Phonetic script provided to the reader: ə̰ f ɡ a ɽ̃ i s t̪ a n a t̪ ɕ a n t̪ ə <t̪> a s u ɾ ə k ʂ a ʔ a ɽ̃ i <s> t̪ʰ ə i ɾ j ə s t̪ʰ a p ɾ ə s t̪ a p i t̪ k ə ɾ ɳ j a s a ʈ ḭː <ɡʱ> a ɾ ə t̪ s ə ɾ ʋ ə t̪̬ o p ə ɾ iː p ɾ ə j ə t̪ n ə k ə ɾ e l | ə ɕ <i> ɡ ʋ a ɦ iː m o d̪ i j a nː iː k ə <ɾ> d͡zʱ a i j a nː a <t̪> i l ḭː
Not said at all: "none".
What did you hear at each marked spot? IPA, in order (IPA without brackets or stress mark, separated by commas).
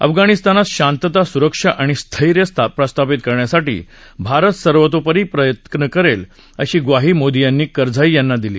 t̪, s, bʱ, iː, ɾ, d̪